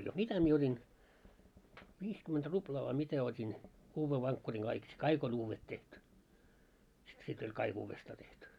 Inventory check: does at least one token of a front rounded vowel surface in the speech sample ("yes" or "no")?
yes